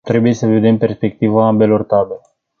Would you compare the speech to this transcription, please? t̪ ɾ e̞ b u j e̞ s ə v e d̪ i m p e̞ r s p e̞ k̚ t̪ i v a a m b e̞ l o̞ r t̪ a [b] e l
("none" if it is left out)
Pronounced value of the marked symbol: b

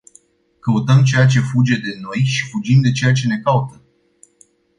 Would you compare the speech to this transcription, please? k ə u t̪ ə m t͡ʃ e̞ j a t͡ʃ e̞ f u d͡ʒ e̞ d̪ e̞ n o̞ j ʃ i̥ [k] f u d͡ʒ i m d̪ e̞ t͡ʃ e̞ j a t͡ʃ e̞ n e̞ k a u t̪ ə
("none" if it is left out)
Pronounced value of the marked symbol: none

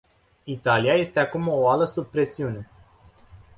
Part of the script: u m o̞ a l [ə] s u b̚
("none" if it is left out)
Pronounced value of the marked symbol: ə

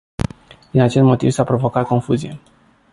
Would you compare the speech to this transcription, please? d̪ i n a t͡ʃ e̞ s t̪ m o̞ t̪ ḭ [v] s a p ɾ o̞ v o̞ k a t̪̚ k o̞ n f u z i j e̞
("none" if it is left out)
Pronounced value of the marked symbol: v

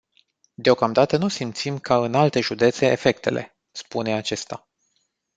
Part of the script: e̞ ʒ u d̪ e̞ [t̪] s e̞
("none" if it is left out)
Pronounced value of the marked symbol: t̪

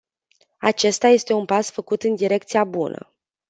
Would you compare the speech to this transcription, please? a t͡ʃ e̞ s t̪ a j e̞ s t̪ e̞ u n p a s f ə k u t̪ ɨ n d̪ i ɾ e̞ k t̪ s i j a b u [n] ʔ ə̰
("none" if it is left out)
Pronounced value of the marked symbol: n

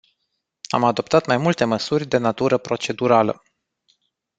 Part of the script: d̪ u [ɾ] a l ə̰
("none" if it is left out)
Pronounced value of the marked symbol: ɾ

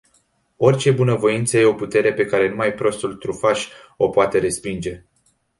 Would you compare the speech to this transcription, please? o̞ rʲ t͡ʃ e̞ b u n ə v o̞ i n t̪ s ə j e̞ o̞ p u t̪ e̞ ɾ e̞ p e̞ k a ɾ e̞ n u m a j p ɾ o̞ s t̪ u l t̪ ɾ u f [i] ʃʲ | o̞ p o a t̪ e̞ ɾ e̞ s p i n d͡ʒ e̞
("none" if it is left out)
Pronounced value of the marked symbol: a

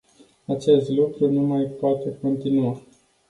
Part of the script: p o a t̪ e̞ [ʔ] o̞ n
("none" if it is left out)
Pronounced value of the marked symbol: k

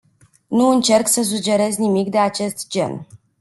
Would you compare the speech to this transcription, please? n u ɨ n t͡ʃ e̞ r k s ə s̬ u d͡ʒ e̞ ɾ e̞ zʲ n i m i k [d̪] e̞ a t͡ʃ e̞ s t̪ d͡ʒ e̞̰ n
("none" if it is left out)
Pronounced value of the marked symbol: d̪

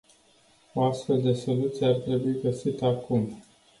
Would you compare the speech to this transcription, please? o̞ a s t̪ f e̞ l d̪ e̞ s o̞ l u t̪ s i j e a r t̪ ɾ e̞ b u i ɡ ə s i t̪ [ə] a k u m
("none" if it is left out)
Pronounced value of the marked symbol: ə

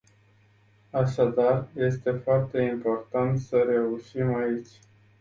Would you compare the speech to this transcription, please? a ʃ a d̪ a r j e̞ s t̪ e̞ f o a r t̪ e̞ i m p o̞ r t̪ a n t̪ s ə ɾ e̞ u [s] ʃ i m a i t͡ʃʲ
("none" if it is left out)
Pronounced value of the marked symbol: none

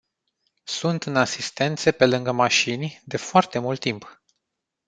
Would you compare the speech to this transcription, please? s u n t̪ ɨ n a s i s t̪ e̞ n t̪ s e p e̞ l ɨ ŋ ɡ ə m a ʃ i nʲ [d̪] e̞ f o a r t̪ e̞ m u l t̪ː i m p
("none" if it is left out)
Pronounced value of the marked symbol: d̪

